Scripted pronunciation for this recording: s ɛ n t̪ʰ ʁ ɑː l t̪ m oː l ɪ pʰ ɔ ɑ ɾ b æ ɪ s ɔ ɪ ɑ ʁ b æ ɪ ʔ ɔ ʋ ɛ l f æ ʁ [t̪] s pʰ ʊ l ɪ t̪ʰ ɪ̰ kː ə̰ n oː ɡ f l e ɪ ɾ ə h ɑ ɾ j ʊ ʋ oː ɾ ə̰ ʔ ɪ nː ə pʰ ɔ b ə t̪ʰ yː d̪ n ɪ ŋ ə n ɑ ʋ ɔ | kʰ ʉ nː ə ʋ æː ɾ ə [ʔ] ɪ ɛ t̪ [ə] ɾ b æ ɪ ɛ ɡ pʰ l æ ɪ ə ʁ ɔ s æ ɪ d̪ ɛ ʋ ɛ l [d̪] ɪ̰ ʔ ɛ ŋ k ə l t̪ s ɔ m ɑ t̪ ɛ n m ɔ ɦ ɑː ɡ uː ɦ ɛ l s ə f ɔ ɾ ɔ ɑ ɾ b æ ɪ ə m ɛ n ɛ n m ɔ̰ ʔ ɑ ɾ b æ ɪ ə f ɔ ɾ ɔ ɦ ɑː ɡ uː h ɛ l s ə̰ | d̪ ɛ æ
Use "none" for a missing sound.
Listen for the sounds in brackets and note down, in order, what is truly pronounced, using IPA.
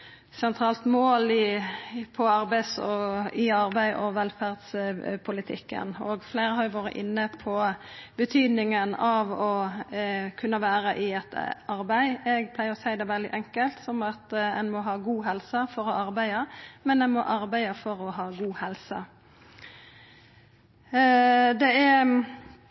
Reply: d̪, ʔ, ɑ, d̪

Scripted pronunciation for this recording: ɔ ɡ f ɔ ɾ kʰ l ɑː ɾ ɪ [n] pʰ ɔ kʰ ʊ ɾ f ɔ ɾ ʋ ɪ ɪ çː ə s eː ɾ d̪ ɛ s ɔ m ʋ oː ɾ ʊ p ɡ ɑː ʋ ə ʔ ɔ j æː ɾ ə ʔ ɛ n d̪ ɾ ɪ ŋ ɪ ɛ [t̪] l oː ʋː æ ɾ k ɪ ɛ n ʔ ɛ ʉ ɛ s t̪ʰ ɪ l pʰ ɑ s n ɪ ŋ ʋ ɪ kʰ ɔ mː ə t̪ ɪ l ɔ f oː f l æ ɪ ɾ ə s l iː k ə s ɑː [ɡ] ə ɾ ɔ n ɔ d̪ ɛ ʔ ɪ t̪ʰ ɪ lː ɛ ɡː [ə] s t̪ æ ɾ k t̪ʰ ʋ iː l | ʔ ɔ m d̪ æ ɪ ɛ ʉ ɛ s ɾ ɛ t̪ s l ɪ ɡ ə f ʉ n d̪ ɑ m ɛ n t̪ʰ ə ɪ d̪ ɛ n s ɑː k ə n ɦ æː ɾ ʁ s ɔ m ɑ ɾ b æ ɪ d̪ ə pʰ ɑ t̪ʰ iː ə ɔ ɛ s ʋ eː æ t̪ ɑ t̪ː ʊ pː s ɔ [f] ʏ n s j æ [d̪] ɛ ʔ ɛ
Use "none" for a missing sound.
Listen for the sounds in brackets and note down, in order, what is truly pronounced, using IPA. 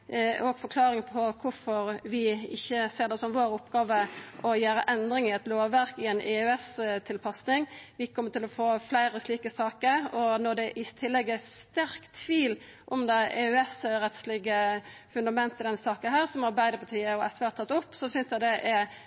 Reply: ŋ, t̪, k, ə, s, d̪

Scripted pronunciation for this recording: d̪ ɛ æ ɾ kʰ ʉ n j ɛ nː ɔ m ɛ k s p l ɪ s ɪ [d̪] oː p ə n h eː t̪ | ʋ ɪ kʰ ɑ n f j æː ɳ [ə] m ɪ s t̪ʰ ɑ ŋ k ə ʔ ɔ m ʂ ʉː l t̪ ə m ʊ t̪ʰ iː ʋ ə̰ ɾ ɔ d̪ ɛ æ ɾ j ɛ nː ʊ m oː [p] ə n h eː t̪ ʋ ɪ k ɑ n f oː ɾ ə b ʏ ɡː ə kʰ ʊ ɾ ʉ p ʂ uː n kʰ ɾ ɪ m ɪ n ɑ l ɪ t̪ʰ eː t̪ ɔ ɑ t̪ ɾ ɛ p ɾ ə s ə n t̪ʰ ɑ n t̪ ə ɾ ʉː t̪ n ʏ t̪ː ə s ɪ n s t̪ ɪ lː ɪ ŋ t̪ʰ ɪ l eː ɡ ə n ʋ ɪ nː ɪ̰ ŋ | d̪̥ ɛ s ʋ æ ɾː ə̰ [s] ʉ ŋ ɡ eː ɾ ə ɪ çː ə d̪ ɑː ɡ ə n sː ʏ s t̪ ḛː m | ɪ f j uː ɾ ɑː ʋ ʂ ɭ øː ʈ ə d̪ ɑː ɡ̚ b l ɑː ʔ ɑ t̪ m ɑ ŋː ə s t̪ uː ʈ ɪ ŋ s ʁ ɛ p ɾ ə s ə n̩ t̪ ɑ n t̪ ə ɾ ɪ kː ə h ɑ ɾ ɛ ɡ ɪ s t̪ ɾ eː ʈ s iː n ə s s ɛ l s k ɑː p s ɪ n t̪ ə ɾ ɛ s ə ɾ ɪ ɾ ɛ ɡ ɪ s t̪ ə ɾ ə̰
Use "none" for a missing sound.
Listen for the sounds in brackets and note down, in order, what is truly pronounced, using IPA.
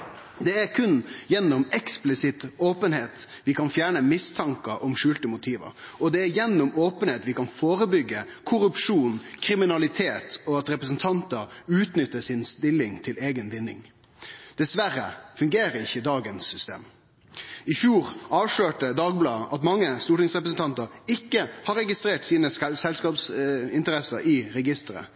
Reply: t̪, ə, p, f

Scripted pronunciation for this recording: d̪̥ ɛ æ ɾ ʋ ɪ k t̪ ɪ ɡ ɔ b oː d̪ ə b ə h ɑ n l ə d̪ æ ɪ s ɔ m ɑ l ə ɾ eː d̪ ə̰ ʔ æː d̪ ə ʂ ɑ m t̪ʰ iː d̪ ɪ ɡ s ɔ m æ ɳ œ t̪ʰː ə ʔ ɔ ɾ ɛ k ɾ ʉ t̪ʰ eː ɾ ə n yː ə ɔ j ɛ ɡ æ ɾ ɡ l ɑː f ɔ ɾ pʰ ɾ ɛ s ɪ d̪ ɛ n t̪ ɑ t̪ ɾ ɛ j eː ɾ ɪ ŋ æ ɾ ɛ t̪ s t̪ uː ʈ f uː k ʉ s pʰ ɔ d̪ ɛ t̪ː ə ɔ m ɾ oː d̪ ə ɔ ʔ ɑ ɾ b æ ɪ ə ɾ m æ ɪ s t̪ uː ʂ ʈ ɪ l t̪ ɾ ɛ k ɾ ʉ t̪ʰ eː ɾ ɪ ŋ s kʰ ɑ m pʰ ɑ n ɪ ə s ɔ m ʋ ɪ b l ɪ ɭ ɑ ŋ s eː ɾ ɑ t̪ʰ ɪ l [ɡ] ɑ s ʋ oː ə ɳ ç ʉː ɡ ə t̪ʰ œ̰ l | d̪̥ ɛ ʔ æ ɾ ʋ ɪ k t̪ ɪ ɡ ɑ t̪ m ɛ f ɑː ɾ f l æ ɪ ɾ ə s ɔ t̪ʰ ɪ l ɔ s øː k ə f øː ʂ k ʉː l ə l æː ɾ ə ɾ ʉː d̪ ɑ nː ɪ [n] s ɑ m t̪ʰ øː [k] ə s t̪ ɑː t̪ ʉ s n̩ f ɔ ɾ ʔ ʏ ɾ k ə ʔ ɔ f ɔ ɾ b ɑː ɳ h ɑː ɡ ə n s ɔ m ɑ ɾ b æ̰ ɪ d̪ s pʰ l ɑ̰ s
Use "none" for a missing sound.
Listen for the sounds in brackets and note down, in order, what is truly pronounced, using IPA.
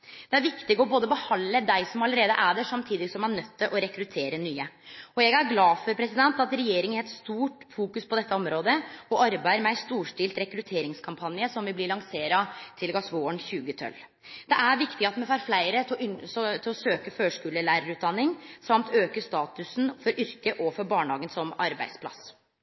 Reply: ɡ, ŋ, k

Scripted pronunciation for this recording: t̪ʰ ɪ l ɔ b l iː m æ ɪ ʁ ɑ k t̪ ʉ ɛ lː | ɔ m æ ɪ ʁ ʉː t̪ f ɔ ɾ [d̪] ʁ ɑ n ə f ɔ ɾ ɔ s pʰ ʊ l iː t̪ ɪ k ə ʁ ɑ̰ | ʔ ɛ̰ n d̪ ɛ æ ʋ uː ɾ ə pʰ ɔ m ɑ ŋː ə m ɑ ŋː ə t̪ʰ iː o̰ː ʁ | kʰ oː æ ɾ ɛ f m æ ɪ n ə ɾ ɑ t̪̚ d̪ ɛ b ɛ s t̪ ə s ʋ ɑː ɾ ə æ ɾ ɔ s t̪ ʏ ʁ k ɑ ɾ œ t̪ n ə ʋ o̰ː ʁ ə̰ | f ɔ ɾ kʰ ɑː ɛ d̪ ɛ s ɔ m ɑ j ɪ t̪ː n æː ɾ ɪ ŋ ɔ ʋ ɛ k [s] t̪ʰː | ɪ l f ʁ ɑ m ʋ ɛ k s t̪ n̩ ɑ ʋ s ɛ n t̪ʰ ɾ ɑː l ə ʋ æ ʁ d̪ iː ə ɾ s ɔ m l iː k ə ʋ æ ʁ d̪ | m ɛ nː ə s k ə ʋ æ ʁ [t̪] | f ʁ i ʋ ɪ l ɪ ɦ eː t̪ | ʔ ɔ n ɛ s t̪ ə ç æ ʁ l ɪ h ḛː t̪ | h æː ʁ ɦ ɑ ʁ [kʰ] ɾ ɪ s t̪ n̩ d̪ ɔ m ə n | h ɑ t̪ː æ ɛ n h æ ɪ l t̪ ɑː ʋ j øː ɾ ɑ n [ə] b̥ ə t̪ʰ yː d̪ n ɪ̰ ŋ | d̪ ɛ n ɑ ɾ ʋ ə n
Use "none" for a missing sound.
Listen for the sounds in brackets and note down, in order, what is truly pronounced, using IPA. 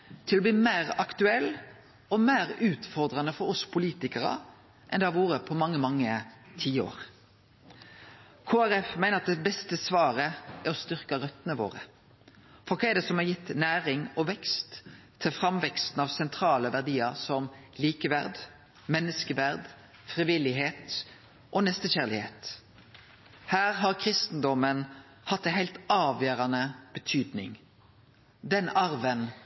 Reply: d̪, s, d̪, kʰ, ə

